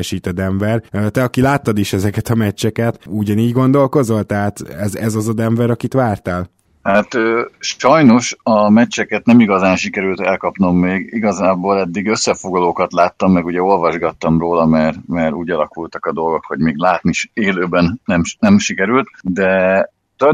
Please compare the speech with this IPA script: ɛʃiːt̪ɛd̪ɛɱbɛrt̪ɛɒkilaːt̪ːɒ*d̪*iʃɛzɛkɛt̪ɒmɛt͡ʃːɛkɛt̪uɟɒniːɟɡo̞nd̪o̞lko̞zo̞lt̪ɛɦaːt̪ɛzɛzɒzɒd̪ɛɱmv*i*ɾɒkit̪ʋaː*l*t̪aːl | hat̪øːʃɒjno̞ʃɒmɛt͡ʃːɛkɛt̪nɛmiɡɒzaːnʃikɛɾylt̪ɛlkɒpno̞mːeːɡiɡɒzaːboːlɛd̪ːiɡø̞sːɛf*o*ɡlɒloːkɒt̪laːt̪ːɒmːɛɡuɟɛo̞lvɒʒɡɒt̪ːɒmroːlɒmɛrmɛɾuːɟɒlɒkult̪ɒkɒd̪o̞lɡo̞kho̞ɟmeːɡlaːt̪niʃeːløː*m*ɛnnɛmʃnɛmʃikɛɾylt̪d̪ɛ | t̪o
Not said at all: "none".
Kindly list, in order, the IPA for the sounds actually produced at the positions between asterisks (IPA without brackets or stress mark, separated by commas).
d̪, ɛ, r, o, b